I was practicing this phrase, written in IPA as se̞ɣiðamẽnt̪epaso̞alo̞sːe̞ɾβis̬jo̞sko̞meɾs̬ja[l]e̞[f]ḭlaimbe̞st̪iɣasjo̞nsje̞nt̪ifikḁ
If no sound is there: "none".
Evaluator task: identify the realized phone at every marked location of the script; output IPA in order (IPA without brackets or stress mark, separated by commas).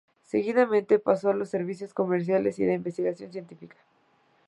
l, s